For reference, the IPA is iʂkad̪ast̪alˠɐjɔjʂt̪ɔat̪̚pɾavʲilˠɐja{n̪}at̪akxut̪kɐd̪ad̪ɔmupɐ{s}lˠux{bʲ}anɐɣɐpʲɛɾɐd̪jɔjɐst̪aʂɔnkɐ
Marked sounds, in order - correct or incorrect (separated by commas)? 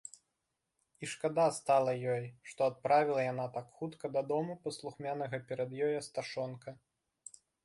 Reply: correct, correct, incorrect